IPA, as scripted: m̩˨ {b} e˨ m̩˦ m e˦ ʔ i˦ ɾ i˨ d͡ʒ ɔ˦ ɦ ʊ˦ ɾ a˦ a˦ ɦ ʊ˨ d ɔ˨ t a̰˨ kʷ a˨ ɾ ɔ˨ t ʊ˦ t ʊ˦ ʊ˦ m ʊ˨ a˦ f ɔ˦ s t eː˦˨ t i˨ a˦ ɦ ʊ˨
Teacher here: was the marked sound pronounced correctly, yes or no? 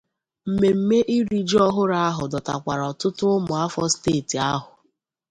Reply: no